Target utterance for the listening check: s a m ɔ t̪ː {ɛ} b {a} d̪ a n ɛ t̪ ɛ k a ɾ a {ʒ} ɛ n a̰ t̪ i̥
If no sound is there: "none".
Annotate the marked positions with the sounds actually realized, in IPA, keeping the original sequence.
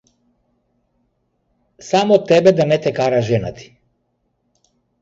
ɛ, ɛ, ʒ

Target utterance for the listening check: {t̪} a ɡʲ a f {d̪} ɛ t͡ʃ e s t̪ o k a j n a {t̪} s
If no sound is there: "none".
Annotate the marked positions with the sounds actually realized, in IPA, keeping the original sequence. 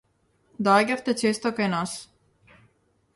d̪, t̪, none

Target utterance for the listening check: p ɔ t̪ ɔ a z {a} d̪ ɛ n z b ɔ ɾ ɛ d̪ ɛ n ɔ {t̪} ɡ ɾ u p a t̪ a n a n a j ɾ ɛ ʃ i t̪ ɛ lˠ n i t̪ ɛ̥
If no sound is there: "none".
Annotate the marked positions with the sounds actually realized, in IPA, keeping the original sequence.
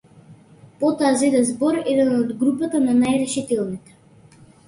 ɛ, d̪

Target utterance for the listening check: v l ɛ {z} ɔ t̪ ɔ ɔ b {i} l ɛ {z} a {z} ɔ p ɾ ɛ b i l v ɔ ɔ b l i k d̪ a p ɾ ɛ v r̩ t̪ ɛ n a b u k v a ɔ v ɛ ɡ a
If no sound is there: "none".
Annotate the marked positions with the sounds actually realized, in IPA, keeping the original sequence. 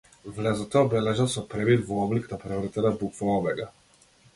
z, ɛ, ʒ, s

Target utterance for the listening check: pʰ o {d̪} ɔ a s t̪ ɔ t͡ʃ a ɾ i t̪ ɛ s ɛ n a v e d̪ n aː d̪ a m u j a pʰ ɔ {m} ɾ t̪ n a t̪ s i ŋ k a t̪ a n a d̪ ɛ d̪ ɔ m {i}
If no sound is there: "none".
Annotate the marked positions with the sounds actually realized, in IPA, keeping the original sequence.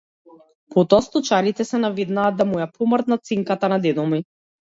t̪, m, i

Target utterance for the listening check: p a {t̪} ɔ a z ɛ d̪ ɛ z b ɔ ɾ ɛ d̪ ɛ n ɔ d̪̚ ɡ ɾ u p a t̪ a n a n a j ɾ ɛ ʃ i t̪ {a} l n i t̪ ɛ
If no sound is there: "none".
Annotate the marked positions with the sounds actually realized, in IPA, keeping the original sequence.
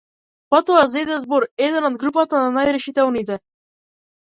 t̪, ɛ

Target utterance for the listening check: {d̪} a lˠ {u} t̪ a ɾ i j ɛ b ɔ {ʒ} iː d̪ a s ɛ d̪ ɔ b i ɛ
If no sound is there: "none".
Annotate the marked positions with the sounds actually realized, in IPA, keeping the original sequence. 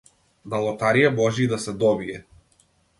d̪, ɔ, ʒ

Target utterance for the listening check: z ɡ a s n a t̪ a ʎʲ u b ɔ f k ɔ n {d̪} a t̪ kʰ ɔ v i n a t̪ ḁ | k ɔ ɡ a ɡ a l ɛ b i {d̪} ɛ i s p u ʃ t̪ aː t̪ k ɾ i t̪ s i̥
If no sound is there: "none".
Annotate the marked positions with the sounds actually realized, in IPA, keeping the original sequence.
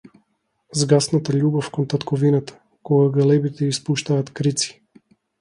t̪, t̪

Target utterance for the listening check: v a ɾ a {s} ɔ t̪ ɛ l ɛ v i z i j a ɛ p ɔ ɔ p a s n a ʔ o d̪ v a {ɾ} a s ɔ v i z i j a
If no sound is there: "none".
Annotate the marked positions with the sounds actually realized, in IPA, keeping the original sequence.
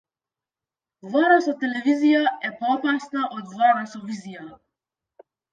s, ɾ

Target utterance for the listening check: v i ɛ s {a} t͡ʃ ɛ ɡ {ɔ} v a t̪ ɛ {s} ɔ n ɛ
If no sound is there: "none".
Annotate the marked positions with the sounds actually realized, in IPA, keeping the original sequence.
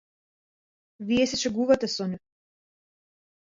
ɛ, u, s

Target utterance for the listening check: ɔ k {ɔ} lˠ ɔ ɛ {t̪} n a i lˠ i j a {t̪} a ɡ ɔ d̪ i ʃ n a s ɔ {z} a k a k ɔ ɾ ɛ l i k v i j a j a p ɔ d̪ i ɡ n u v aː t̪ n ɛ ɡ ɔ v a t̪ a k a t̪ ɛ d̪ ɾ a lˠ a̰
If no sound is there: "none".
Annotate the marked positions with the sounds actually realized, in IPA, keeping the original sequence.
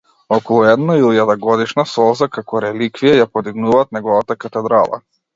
ɔ, d̪, d̪, z

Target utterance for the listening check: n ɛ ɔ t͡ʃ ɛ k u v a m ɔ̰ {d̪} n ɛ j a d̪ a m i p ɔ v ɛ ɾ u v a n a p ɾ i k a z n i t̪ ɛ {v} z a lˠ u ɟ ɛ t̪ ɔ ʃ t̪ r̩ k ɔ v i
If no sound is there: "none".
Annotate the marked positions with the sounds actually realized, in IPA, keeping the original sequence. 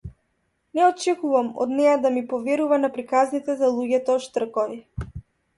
d̪, none

